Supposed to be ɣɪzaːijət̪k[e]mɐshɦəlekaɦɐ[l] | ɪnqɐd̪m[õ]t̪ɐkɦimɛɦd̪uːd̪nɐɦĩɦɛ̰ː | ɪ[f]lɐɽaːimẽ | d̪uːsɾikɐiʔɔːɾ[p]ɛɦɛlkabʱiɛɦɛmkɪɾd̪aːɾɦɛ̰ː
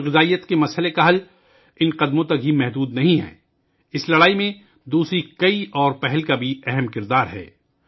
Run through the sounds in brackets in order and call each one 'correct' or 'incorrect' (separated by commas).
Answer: correct, correct, correct, incorrect, correct